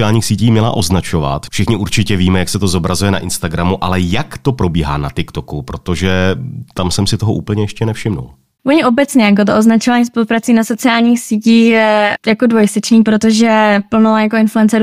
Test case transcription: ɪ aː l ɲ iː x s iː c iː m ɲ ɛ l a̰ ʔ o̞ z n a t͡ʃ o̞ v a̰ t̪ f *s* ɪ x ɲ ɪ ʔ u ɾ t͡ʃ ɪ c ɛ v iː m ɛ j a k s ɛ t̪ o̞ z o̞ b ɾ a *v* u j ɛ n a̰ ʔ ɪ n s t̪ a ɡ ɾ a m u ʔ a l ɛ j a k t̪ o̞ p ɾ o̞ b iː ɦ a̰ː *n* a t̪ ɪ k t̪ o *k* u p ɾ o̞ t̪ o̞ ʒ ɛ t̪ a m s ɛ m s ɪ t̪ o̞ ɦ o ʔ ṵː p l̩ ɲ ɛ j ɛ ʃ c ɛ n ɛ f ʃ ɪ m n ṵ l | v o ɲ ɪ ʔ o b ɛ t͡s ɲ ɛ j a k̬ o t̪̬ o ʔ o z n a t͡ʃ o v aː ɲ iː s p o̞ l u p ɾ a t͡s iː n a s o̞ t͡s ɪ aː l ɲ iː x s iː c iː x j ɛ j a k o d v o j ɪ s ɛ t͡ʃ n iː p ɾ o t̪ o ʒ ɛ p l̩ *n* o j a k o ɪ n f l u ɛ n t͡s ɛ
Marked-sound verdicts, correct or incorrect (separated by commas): incorrect, incorrect, correct, correct, correct